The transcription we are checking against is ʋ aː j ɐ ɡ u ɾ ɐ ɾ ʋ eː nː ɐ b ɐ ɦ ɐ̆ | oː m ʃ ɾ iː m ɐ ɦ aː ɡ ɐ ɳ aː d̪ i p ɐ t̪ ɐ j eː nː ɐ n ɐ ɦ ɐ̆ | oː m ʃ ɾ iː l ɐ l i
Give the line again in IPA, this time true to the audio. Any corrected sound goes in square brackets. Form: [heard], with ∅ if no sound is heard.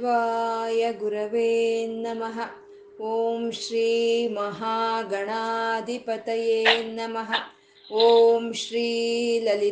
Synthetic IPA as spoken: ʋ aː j ɐ ɡ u ɾ ɐ [∅] ʋ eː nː ɐ [m] ɐ ɦ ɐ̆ | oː m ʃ ɾ iː m ɐ ɦ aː ɡ ɐ ɳ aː d̪ i p ɐ t̪ ɐ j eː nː ɐ [m] ɐ ɦ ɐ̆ | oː m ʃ ɾ iː l ɐ l i